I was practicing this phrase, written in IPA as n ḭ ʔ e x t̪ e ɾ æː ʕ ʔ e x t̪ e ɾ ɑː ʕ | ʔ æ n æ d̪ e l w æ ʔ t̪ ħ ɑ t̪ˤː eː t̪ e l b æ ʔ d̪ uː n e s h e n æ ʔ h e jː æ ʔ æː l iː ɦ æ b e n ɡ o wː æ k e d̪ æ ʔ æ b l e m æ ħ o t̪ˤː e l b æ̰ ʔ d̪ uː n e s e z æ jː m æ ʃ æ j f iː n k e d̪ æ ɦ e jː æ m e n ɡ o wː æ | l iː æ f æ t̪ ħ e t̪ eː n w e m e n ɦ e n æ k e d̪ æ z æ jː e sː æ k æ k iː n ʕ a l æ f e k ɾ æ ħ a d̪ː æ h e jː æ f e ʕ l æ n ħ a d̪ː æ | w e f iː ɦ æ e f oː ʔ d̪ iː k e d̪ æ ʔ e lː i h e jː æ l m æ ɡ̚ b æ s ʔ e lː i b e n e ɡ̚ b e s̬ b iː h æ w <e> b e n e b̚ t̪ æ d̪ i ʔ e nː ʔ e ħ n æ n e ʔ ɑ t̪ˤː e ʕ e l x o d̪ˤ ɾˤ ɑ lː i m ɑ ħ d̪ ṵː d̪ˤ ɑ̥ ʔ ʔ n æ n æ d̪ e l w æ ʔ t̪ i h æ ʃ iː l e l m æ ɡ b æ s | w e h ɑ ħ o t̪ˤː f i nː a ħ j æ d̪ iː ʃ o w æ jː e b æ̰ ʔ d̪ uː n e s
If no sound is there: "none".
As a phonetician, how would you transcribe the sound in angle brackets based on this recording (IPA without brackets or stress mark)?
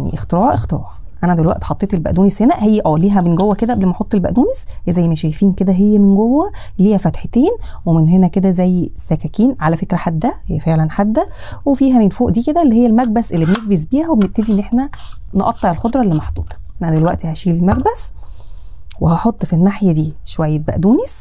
e